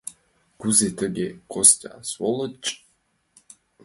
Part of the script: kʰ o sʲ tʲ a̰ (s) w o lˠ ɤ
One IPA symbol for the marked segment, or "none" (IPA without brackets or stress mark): s